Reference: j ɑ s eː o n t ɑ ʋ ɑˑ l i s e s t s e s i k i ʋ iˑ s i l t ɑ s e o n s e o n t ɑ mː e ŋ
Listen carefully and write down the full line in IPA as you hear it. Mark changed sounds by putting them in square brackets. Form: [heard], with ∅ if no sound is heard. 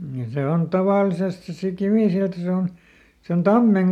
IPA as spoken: j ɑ s [e] o n t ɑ ʋ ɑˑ l i s e s t s e s i k i ʋ iˑ s i l t ɑ s e o n s e o n t ɑ mː e ŋ